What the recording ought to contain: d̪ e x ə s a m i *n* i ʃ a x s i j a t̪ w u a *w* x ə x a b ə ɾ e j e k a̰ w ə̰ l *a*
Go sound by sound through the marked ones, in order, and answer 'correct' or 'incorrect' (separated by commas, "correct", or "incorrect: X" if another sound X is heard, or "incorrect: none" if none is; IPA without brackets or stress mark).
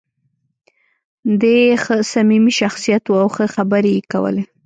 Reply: incorrect: m, correct, incorrect: e